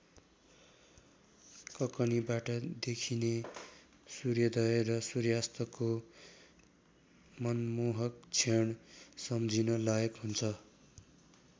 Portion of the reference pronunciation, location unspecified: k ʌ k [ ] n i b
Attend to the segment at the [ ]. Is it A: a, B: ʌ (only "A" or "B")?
B